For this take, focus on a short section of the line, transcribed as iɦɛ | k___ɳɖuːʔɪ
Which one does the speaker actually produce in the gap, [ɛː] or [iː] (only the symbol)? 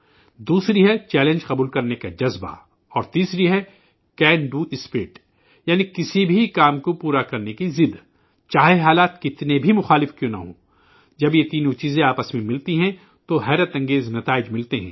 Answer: ɛː